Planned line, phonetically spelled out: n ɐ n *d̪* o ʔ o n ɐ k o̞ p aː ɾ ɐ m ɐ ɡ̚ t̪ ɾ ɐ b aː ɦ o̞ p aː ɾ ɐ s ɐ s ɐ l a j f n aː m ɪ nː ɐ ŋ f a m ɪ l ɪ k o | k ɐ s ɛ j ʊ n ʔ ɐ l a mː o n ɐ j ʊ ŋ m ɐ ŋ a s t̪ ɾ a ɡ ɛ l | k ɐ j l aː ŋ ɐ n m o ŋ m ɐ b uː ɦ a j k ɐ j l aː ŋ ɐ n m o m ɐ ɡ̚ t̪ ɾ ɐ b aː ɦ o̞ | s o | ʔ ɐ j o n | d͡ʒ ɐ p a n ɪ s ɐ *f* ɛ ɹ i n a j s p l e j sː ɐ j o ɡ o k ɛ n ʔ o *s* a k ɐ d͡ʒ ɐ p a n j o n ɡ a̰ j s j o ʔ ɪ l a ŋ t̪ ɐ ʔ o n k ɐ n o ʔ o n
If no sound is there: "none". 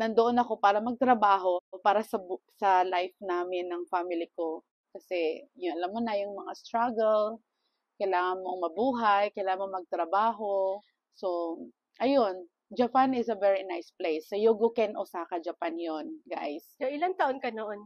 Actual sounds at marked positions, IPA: d̪, v, s

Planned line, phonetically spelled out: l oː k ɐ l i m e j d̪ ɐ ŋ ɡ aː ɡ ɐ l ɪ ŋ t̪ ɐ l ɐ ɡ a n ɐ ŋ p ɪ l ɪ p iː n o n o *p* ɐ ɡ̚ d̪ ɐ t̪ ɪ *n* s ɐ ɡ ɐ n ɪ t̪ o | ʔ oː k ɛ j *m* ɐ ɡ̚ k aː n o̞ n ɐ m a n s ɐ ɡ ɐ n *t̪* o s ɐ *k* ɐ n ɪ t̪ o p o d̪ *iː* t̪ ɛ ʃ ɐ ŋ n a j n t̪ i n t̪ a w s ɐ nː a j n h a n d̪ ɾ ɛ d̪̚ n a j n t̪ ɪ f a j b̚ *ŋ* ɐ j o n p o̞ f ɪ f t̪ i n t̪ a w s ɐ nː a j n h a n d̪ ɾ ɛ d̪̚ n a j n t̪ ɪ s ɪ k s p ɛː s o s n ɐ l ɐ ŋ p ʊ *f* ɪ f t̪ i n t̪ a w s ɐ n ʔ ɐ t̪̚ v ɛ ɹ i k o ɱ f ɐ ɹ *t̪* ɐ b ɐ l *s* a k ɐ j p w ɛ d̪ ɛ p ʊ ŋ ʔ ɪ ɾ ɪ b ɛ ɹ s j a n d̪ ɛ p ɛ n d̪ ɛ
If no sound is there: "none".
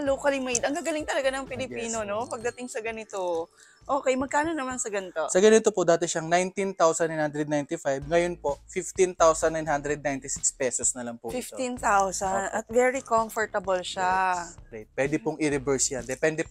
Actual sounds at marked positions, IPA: p, ŋ, m, t̪, ɡ, aː, ŋ, f, t̪, ʃ

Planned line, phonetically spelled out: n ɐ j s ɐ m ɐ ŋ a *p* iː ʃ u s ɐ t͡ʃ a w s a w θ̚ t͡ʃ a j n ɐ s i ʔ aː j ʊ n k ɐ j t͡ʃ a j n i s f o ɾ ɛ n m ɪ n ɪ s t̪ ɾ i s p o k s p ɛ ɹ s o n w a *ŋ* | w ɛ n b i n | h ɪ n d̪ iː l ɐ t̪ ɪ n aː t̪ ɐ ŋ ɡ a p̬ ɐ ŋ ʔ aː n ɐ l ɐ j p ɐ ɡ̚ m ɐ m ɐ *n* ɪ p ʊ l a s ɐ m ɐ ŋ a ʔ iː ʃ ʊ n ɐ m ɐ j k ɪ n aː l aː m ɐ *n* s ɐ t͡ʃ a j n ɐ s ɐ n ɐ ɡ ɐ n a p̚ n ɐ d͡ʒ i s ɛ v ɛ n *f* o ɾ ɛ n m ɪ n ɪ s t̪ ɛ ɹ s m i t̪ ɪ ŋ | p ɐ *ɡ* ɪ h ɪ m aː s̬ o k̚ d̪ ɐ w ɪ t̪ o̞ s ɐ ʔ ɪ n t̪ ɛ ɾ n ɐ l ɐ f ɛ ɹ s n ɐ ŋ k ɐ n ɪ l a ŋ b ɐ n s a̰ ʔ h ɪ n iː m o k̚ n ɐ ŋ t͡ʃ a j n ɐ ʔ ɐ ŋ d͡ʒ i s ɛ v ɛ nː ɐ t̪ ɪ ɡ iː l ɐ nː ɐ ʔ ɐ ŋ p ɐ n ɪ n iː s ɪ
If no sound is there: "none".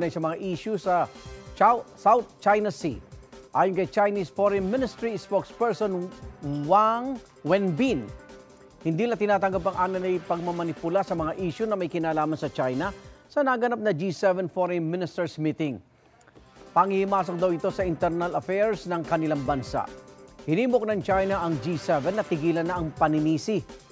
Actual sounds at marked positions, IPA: ʔ, ŋ, n, n, f, ŋ

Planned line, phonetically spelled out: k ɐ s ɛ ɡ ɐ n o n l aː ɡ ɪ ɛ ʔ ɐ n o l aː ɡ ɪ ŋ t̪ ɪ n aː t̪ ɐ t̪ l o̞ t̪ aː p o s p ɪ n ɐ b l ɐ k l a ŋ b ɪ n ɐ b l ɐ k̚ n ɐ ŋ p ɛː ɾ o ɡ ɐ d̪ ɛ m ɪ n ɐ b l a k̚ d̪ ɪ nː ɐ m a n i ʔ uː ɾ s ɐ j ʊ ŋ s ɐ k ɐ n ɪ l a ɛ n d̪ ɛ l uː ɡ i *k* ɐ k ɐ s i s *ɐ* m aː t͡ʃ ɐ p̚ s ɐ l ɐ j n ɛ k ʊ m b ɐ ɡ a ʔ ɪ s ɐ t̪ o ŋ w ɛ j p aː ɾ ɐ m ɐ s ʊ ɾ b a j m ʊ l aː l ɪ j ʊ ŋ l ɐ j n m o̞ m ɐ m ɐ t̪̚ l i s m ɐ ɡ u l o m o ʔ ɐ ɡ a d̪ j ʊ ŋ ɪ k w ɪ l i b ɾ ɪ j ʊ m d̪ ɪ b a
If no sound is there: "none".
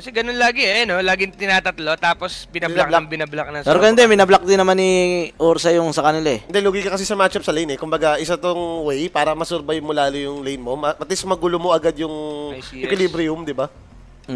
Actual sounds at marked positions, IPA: k, ɐ

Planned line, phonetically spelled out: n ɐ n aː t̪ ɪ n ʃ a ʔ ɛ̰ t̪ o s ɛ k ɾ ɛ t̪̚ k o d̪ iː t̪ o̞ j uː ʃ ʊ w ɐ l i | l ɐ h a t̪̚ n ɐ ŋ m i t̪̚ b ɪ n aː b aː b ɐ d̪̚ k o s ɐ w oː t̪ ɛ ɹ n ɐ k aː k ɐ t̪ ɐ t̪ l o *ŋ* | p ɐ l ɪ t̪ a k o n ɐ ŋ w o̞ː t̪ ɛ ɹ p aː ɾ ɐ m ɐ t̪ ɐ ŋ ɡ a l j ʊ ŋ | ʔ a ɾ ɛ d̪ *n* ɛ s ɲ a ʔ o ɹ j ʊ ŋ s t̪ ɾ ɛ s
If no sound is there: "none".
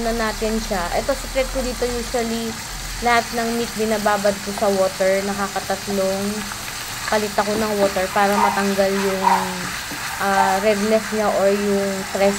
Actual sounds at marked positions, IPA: ŋ, n

